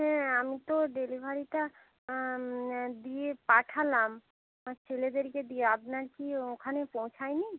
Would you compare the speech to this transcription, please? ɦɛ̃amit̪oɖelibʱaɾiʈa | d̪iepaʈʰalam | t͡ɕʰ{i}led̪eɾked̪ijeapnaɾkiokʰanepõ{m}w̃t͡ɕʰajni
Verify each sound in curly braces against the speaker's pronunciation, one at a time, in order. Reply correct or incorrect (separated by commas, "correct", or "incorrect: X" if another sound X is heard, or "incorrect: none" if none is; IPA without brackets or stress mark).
incorrect: e, incorrect: none